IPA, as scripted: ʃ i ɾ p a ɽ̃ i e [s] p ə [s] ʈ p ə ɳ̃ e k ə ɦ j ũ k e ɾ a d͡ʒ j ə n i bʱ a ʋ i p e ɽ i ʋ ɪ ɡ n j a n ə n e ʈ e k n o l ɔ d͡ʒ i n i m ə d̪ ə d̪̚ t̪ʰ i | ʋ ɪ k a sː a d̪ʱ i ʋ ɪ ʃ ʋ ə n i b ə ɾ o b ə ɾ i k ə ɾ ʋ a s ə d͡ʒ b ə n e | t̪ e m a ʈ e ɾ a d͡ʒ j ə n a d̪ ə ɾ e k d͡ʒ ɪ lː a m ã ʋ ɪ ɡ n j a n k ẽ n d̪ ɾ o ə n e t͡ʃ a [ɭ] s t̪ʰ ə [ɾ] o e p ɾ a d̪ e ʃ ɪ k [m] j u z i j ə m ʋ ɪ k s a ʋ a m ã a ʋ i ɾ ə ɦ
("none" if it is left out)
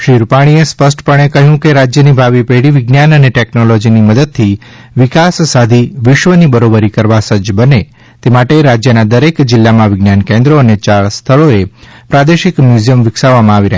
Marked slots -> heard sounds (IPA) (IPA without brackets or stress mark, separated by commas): s, s, ɭ, ɭ, m